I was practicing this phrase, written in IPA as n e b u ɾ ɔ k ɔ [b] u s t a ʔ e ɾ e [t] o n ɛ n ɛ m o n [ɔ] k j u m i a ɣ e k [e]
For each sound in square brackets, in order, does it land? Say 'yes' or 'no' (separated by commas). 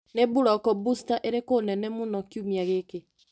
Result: yes, no, yes, yes